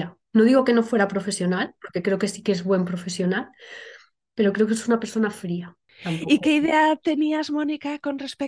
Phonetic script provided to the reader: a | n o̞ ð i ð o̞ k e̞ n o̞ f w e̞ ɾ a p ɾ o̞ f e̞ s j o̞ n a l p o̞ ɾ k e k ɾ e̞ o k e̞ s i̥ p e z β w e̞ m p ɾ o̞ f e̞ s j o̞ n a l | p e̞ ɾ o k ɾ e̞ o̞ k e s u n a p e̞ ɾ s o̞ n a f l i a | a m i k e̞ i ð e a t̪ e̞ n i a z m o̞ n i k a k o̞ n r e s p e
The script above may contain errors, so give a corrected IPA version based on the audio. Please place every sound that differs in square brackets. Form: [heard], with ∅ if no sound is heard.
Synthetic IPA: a | n o̞ ð i [ɣ] o̞ k e̞ n o̞ f w e̞ ɾ a p ɾ o̞ f e̞ s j o̞ n a l p o̞ ɾ k e k ɾ e̞ o k e̞ s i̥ [k] e z β w e̞ m p ɾ o̞ f e̞ s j o̞ n a l | p e̞ ɾ o k ɾ e̞ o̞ k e s u n a p e̞ ɾ s o̞ n a f [ɾ] i a | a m i k e̞ i ð e a t̪ e̞ n i a z m o̞ n i k a k o̞ n r e s p e